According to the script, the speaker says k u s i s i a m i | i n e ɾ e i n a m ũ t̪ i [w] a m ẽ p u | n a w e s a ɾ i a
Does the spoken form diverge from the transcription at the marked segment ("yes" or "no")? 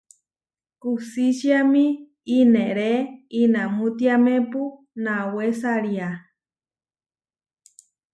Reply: yes